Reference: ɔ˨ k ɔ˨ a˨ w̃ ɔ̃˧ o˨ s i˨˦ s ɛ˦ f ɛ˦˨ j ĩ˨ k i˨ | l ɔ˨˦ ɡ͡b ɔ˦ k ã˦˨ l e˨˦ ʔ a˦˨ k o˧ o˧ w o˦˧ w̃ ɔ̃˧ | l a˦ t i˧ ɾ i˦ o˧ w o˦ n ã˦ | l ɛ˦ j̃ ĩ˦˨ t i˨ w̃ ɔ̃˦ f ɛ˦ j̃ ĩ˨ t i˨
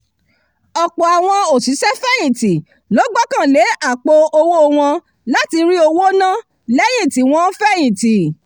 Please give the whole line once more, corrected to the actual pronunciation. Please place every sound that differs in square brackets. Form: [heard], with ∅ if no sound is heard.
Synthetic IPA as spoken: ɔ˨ [k͡p] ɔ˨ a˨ w̃ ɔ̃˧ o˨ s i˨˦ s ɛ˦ f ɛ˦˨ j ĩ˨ [t] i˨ | l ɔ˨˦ ɡ͡b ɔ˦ k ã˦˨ l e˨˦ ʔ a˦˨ [k͡p] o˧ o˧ w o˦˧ w̃ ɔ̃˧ | l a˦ t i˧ ɾ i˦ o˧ w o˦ n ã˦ | l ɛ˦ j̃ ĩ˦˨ t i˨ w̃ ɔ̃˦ f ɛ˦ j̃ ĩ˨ t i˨